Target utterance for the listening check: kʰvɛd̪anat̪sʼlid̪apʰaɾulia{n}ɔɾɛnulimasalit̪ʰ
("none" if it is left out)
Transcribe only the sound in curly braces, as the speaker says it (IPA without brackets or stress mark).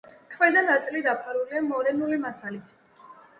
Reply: m